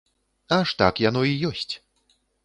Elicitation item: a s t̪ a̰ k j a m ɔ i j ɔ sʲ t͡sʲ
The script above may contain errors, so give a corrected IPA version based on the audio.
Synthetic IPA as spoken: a ʂ t̪ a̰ k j a n ɔ i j ɔ sʲ t͡sʲ